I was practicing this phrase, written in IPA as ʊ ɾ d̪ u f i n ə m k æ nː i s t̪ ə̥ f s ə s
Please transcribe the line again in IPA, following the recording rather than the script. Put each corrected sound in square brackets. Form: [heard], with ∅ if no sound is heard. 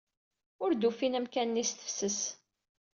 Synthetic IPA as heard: ʊ ɾ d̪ u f i n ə m k æ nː i s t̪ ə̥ f s ə s